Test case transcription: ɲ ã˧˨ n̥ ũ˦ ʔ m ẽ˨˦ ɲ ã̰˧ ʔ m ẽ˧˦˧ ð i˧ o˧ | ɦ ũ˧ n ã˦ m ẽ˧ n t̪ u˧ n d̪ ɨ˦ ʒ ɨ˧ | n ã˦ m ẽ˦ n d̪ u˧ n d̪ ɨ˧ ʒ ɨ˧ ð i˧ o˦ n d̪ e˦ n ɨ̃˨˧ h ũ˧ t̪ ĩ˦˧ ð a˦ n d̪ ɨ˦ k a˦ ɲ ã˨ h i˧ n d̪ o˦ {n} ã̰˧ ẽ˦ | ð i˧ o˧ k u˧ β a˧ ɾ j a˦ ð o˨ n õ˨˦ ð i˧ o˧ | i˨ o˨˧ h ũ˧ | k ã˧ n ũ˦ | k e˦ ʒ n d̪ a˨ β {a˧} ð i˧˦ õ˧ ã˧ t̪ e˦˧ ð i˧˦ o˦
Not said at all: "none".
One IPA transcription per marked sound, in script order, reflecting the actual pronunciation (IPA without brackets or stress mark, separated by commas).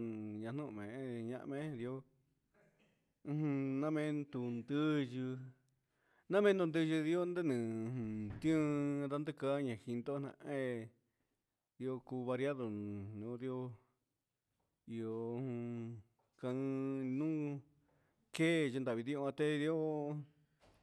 n, i˧